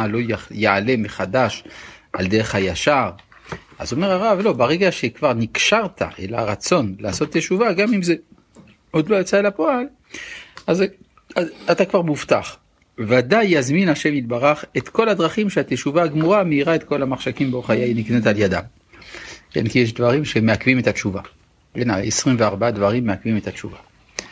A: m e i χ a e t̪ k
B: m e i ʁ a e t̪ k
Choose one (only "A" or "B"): B